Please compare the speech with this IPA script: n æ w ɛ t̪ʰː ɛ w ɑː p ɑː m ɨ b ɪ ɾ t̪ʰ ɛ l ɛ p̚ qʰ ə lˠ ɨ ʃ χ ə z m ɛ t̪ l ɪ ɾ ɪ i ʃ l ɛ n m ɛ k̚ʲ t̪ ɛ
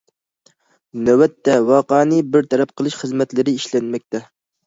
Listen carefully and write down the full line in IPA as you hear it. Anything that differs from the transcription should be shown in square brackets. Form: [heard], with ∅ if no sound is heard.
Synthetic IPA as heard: n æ w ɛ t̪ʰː ɛ w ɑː [q] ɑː [n] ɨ b ɪ ɾ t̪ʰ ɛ [ɾ] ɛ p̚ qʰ ə lˠ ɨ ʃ χ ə z m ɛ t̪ l ɪ ɾ ɪ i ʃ l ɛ n m ɛ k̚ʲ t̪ ɛ